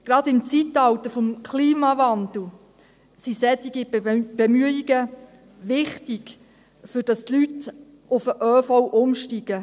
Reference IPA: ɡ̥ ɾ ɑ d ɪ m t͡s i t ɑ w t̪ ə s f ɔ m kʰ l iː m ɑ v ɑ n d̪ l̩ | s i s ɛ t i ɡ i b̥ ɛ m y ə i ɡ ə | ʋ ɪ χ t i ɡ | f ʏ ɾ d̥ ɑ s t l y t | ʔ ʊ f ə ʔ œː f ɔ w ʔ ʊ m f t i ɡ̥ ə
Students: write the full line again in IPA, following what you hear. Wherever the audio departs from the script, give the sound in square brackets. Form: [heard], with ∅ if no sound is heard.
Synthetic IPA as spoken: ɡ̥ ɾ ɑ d ɪ m t͡s i t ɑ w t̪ ə [∅] f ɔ m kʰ l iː m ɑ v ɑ n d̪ l̩ | s i s ɛ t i ɡ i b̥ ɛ m y ə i ɡ ə | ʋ ɪ χ t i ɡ | f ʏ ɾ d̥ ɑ s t l y t | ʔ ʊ f ə ʔ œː f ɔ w ʔ ʊ m [ʃ] t i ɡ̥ ə